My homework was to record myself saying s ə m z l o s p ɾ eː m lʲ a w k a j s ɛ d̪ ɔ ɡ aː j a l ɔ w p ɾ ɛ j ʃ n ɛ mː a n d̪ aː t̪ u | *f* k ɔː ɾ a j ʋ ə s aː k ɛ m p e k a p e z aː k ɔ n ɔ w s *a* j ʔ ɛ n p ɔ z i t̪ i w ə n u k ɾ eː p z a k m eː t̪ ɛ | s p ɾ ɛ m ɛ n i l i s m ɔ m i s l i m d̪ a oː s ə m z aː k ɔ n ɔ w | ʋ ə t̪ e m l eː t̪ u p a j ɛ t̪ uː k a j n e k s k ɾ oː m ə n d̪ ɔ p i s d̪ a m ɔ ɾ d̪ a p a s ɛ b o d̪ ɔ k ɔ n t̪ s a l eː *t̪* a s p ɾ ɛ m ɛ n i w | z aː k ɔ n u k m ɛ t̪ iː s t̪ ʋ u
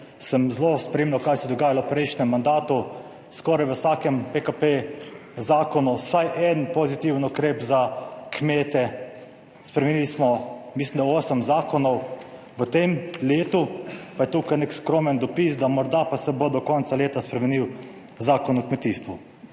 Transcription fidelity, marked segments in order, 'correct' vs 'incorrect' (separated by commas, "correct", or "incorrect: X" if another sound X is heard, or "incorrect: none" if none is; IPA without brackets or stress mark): incorrect: s, correct, correct